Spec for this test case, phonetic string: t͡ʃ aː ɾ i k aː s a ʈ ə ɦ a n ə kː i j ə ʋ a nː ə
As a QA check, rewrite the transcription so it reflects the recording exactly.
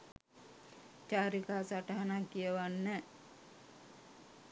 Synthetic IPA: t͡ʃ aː ɾ i k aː s a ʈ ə ɦ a n a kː i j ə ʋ a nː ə

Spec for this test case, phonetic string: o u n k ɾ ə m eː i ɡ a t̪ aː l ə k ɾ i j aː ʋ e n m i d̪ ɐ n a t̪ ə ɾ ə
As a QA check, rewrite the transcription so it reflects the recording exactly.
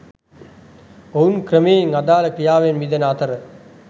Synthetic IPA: o u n k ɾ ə m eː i ŋ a d̪ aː l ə k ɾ i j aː ʋ e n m i d̪ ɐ n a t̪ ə ɾ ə

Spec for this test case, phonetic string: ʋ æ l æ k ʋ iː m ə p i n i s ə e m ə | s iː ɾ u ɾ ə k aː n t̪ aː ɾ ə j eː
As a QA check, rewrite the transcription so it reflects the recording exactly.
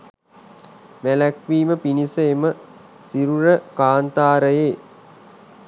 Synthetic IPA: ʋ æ l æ k ʋ iː m ə p i n i s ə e m ə | s i ɾ u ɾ ə k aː n t̪ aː ɾ ə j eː

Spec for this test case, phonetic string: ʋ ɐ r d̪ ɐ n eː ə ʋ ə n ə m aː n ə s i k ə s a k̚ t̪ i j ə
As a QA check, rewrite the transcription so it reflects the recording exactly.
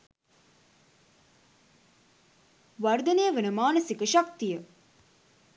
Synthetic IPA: ʋ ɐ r d̪ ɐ n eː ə ʋ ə n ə m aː n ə s i k ə ʃ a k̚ t̪ i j ə

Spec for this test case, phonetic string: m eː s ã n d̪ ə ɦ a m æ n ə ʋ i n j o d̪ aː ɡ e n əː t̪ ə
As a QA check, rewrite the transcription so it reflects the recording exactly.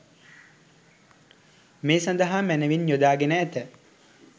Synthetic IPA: m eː s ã n d̪ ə ɦ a m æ n ə ʋ i n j o d̪ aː ɡ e n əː t̪ ə

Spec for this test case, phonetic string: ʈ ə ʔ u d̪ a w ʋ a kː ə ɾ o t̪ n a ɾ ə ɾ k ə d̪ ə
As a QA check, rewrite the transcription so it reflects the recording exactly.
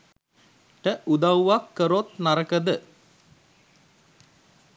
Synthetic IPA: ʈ ə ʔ u d̪ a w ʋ a kː ə ɾ o t̪ n a ɾ ə k ə d̪ ə

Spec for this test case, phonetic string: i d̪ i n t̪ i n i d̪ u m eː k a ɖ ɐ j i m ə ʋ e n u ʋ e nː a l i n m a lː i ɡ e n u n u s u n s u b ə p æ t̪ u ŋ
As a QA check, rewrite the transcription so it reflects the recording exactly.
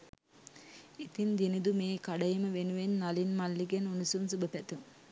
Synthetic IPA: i t̪ i n d̪ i n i d̪ u m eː k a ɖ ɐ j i m ə ʋ e n u ʋ e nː a l i n m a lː i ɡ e n u n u s u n s u b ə p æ t̪ u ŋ

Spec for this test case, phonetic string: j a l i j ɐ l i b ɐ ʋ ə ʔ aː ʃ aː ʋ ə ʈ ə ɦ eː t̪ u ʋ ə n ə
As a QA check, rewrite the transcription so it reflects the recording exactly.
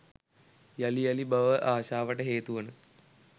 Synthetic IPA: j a l i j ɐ l i b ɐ ʋ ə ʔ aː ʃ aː ʋ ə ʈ ə ɦ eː t̪ u ʋ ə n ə

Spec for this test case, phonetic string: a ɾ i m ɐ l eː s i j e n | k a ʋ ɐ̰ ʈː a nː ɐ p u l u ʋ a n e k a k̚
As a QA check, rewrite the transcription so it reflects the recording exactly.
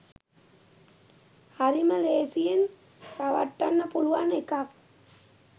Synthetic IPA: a ɾ i m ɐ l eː s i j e n | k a ʋ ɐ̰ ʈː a nː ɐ p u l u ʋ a n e k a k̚

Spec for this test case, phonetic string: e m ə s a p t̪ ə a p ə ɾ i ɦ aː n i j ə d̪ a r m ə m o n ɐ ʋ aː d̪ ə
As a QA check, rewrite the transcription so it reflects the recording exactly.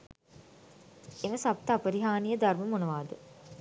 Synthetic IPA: e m ə s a p t̪ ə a p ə ɾ i ɦ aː n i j ə d̪ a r m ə m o n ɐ ʋ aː d̪ ə

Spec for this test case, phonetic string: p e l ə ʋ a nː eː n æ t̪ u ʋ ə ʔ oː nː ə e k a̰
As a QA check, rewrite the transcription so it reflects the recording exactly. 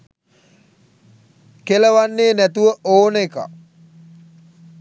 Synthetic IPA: k e l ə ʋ a nː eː n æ t̪ u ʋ ə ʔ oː n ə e k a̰

